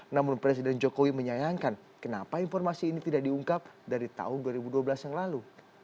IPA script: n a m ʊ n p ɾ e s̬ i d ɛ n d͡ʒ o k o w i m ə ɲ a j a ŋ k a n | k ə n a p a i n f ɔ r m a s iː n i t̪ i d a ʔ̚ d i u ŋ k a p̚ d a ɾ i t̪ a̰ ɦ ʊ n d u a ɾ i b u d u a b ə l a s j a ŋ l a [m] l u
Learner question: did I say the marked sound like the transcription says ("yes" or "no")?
no